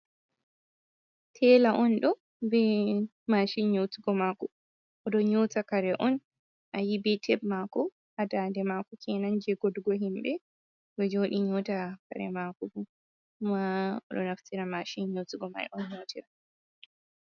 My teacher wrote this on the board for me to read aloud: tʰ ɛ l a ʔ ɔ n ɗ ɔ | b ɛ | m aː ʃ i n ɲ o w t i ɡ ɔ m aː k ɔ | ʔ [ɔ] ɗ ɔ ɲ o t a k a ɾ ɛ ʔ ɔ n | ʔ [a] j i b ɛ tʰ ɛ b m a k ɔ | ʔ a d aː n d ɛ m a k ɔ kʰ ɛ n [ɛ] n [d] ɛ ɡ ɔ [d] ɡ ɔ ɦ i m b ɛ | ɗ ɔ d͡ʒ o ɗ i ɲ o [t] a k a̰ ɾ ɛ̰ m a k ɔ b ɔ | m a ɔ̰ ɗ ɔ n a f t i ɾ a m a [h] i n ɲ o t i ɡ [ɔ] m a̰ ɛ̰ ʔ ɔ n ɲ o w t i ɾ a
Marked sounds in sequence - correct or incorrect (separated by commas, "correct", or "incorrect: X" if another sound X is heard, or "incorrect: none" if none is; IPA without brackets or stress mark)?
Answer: correct, correct, incorrect: a, incorrect: d͡ʒ, correct, correct, incorrect: ʃ, correct